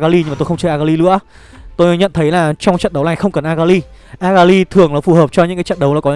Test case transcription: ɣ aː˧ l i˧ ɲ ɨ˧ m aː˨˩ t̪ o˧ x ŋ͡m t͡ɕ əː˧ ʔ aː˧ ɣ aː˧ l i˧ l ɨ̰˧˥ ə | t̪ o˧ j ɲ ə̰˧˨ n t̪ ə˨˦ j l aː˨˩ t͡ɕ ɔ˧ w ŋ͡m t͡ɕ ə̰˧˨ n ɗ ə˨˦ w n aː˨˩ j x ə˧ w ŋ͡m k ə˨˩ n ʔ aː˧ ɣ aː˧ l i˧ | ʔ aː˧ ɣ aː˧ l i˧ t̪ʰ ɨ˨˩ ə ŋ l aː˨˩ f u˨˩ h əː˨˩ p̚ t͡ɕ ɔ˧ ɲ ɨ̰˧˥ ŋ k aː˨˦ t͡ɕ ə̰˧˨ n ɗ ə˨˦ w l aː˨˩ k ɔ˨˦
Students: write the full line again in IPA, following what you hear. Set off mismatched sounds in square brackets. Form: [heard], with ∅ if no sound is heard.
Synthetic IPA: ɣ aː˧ l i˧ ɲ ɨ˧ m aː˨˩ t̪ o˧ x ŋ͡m t͡ɕ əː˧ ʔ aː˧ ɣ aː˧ l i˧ l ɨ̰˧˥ ə | t̪ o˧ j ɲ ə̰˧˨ n [t̪ʰ] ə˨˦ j l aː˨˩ t͡ɕ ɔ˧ w ŋ͡m t͡ɕ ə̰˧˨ n ɗ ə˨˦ w n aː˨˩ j x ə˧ w ŋ͡m k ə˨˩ n ʔ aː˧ ɣ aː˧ l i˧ | ʔ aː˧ ɣ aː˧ l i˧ t̪ʰ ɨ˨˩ ə ŋ l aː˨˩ f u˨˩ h əː˨˩ p̚ t͡ɕ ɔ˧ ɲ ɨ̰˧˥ ŋ k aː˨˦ t͡ɕ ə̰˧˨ n ɗ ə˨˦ w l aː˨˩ k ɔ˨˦